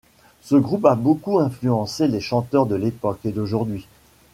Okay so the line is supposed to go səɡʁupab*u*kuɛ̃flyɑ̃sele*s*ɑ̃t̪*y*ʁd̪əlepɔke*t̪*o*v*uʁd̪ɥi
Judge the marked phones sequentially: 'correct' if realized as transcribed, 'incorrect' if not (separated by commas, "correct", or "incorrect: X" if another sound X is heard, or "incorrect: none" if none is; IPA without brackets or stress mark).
incorrect: o, incorrect: ʃ, incorrect: œ, incorrect: d̪, incorrect: ʒ